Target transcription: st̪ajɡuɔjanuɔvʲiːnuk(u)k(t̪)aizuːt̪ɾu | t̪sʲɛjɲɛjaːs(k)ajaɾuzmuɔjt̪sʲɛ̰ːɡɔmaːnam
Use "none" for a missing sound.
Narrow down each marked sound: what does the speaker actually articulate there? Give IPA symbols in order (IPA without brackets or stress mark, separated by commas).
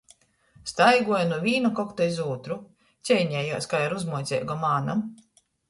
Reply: ɔ, t̪, k